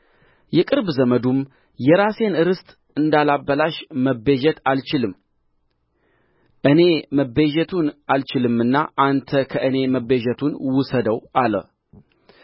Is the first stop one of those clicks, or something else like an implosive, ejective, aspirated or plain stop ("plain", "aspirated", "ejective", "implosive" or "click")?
ejective